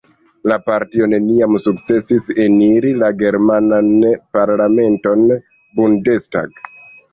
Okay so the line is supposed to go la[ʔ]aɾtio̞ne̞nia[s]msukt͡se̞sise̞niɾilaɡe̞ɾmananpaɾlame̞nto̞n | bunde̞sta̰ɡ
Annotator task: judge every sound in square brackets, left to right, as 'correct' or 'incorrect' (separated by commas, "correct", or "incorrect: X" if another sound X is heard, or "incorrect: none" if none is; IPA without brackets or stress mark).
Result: incorrect: p, incorrect: none